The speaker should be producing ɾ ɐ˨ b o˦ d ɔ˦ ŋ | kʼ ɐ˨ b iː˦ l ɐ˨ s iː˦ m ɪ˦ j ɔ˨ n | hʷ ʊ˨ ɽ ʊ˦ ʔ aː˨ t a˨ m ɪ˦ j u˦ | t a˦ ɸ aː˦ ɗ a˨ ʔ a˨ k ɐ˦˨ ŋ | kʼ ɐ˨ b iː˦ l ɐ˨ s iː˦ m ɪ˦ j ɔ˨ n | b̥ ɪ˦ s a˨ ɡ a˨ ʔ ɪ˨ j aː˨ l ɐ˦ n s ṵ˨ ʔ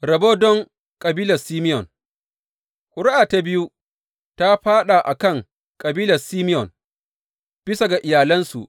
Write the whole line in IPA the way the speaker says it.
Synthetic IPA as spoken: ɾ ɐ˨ b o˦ d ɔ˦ ŋ | kʼ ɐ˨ b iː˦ l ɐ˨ s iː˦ m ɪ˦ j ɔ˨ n | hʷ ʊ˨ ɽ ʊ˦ ʔ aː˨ t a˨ b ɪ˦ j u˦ | t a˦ ɸ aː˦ ɗ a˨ ʔ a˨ k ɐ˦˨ ŋ | kʼ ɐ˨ b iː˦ l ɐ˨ s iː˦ m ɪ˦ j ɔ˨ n | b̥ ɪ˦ s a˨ ɡ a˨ ʔ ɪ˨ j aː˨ l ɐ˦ n s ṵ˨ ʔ